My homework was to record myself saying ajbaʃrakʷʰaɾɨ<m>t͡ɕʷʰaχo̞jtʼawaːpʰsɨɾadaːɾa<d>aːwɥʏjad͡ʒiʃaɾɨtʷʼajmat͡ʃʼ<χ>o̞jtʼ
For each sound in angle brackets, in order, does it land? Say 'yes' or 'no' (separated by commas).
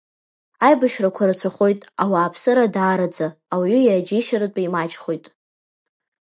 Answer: no, no, yes